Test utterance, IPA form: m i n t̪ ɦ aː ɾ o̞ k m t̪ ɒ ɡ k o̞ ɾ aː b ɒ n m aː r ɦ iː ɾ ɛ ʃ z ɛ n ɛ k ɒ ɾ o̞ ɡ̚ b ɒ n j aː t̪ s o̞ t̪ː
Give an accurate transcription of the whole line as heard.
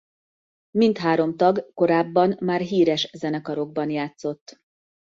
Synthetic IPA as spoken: m i n t̪ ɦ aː ɾ o̞ m t̪ ɒ ɡ k o̞ ɾ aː bː ɒ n m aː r ɦ iː ɾ ɛ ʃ z ɛ n ɛ k ɒ ɾ o̞ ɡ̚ b ɒ n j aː t̪ s o̞ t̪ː